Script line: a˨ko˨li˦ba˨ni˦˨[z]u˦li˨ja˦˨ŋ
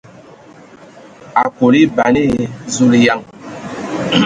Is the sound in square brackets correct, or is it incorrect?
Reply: correct